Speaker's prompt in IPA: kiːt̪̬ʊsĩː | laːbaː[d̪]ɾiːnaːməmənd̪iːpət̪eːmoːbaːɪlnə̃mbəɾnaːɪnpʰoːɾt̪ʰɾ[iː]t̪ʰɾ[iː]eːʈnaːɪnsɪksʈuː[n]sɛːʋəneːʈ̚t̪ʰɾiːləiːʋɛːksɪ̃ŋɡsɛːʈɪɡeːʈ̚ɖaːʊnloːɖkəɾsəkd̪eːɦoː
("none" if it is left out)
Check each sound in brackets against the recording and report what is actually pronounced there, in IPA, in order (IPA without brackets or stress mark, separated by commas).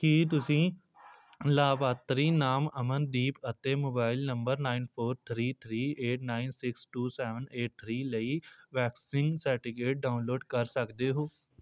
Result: t̪, iː, iː, none